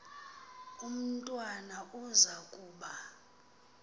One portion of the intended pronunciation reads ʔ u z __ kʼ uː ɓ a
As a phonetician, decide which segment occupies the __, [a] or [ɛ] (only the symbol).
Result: a